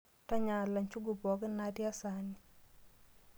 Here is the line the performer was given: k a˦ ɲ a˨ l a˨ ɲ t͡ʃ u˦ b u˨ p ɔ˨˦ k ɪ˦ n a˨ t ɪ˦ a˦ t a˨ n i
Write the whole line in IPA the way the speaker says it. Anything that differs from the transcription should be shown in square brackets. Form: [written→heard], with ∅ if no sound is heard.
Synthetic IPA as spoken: [k→t] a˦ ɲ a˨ l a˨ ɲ t͡ʃ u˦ [b→ɡ] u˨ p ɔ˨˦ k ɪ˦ n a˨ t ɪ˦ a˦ [t→s] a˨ n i